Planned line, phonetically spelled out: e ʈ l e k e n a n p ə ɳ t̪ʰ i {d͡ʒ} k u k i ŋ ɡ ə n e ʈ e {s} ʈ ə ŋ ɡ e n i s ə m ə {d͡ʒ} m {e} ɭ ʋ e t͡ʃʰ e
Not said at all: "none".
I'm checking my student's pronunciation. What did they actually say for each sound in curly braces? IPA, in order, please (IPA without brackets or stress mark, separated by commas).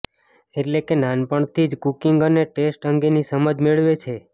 d͡ʒ, s, d͡ʒ, e